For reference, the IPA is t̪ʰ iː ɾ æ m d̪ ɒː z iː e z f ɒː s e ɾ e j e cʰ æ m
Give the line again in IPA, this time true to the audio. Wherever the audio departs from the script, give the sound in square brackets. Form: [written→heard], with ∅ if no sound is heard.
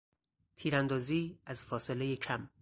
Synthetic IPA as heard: t̪ʰ iː ɾ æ [m→n] d̪ ɒː z iː [e→æ] z f ɒː s e [ɾ→l] e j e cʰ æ m